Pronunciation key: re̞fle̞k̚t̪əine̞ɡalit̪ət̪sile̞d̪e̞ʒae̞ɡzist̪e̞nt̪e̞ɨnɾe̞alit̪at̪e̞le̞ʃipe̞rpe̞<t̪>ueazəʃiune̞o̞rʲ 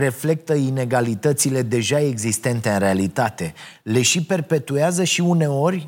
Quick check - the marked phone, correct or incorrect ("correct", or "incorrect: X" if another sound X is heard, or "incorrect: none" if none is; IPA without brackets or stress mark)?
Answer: correct